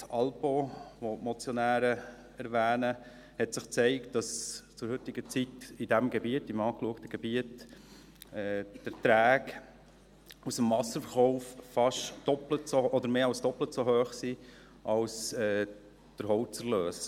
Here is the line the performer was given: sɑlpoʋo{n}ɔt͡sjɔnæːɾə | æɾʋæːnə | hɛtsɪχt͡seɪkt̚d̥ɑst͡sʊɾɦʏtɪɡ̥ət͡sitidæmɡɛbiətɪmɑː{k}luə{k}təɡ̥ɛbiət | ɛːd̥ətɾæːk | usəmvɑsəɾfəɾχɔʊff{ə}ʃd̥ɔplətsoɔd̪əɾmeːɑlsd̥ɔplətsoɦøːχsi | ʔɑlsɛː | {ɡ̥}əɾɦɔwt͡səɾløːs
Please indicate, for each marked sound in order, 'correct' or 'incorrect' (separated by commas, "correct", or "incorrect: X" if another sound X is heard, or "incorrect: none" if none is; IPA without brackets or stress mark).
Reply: incorrect: m, correct, correct, incorrect: ɑ, incorrect: d̥